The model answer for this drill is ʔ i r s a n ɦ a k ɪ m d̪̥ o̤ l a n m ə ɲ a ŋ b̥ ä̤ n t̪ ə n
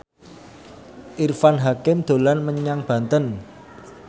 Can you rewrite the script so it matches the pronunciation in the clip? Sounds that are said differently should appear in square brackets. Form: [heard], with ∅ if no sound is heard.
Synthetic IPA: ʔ i r [f] a n ɦ a k ɪ m d̪̥ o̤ l a n m ə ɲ a ŋ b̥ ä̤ n t̪ ə n